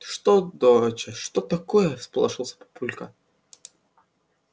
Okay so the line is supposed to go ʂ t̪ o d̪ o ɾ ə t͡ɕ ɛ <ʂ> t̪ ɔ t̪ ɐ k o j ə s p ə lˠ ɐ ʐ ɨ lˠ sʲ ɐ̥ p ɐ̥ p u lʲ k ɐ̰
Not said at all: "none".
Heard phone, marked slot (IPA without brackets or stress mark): ʂ